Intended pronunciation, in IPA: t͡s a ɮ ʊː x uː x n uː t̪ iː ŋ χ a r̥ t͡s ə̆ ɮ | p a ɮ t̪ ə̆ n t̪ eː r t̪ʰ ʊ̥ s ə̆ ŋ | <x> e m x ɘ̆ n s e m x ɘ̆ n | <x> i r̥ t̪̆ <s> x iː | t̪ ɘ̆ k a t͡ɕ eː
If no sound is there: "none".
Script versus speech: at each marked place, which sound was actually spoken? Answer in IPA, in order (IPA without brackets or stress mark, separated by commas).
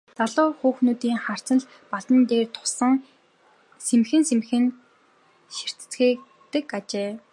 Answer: s, ʃ, t͡s